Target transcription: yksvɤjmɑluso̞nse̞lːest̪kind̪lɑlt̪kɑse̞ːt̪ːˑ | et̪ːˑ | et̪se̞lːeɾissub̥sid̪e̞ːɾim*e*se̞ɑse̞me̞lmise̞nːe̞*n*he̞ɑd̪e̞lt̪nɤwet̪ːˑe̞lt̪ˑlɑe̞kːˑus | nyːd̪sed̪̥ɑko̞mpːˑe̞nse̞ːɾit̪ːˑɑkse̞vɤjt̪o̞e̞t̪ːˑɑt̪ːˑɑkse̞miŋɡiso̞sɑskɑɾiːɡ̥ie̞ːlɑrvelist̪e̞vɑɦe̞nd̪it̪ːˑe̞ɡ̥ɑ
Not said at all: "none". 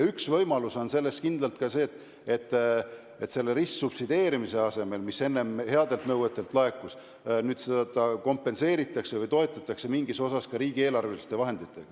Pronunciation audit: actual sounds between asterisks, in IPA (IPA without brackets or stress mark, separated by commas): i, m